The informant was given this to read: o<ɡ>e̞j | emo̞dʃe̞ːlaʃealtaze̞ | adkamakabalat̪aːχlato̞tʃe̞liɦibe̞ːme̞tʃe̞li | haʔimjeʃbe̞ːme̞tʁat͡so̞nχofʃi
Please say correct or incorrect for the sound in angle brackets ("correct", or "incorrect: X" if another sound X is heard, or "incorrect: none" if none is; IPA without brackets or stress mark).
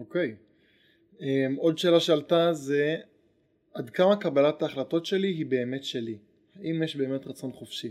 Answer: incorrect: k